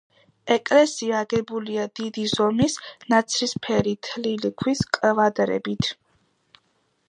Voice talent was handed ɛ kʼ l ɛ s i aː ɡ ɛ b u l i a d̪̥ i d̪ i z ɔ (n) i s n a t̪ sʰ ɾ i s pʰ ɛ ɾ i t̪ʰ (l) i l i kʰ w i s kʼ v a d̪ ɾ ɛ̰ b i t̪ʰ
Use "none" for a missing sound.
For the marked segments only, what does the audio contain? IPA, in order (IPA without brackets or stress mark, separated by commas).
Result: m, l